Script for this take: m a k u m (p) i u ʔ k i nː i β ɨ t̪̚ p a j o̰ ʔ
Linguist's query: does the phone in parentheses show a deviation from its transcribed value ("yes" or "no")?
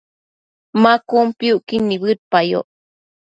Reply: no